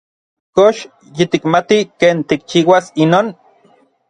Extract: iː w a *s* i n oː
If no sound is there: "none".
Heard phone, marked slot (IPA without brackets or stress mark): s